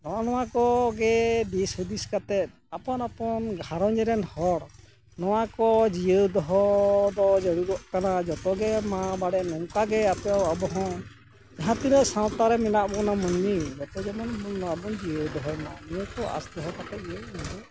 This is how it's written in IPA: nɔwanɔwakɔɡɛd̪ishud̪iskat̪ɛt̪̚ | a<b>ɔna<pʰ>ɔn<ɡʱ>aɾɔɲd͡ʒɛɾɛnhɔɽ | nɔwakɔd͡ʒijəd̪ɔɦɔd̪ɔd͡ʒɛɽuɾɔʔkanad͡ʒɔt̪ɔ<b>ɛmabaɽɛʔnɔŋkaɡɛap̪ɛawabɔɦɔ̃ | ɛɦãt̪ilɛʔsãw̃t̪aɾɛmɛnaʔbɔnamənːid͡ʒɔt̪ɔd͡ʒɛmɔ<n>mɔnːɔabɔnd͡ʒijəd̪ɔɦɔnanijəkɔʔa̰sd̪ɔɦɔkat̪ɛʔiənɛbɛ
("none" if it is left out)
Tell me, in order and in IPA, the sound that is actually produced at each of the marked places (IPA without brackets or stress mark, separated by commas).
p, p, ɡʱ, ɡ, n